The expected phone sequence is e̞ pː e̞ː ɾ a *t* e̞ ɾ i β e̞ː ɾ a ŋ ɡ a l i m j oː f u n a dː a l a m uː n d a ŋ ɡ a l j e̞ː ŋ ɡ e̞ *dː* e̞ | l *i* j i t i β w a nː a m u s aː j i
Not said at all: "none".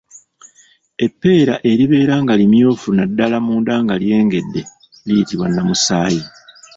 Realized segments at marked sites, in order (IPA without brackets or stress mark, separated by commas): ʔ, dː, i